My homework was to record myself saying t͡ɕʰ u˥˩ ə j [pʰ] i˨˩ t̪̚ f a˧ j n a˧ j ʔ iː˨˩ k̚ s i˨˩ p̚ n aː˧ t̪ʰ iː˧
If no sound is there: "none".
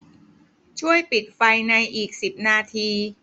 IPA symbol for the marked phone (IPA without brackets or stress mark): p